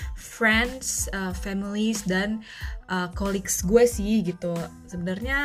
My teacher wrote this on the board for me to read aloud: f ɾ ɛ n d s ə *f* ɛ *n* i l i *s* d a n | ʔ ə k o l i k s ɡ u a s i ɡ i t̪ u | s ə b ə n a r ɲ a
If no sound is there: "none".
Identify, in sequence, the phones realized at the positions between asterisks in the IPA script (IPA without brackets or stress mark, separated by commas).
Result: f, m, s